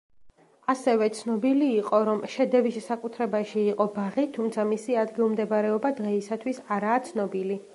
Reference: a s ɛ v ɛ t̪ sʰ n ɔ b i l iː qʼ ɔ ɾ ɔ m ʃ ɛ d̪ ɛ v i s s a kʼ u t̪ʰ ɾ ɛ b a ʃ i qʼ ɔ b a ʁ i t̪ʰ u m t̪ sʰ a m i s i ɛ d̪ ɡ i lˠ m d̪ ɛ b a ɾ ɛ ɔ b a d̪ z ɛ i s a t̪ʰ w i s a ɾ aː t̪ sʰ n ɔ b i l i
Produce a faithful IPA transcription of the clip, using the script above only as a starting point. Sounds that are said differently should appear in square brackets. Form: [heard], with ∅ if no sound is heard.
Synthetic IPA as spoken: a s ɛ v ɛ t̪ sʰ n ɔ b i l iː qʼ ɔ ɾ ɔ m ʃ ɛ d̪ ɛ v i s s a kʼ u t̪ʰ ɾ ɛ b a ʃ [iː] qʼ ɔ b a ʁ i t̪ʰ u m t̪ sʰ a m i s i [a] d̪ ɡ i lˠ m d̪ ɛ b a ɾ ɛ ɔ b a d̪ [ʁ] ɛ i s a t̪ʰ w i s a ɾ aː t̪ sʰ n ɔ b i l i